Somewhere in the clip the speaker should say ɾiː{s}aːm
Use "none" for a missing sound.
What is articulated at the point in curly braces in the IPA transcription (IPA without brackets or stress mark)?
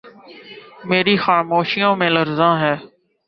x